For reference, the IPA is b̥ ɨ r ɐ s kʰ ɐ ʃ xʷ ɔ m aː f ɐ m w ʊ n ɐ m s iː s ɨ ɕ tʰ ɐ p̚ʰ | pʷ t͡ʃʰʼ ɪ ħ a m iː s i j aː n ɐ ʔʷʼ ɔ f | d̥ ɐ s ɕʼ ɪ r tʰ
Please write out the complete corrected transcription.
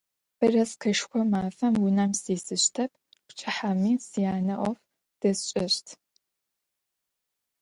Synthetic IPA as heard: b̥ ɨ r ɐ s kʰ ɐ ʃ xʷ ɔ m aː f ɐ m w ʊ n ɐ m s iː s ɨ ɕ tʰ ɐ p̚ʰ | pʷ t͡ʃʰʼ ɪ ħ a m iː s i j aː n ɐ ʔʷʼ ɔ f | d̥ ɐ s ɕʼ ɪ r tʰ